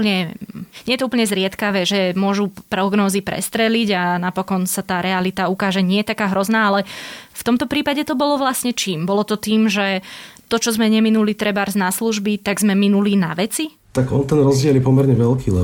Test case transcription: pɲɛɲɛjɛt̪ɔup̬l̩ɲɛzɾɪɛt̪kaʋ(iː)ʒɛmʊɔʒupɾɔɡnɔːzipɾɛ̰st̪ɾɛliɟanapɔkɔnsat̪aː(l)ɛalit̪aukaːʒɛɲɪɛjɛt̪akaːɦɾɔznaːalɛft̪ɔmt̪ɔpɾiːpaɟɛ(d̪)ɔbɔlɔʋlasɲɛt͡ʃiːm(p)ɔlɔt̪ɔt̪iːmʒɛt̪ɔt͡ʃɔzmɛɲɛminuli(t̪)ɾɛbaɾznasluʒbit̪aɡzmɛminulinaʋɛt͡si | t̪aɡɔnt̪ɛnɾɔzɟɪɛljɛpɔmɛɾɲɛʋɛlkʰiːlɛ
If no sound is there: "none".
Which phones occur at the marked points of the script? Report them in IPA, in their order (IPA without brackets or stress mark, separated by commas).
ɛː, ɾ, t̪, b, t̪